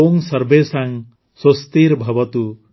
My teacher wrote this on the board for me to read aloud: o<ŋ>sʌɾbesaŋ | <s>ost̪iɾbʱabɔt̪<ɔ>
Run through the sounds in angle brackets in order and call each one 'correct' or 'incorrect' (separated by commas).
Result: correct, correct, incorrect